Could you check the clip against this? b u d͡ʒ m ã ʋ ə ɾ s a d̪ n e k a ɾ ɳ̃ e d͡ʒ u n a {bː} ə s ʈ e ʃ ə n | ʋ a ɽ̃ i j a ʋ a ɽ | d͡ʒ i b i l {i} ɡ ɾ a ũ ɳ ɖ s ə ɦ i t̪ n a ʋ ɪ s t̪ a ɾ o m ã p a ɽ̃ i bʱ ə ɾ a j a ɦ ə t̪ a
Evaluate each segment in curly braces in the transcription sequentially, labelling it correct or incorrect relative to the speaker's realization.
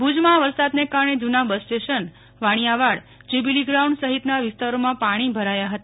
incorrect, correct

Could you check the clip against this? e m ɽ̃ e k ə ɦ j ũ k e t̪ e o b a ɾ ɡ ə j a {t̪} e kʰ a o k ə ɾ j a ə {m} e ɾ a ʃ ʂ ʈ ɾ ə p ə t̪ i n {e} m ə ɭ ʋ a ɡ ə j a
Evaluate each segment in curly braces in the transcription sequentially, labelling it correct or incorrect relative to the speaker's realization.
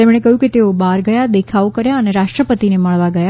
incorrect, incorrect, correct

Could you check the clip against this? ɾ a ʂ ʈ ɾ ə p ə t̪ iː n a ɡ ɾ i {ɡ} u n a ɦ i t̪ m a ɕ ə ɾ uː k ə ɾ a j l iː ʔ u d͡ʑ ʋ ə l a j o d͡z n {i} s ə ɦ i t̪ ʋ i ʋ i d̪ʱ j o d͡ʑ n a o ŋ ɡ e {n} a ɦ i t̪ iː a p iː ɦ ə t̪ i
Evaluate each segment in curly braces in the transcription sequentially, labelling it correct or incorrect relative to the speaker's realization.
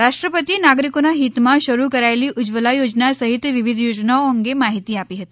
incorrect, incorrect, incorrect

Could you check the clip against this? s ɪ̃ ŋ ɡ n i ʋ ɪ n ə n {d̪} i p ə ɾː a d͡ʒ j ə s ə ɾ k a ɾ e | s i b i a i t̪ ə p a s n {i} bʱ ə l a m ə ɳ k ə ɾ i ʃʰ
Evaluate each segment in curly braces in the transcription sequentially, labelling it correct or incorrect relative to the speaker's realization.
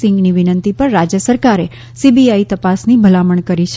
incorrect, correct

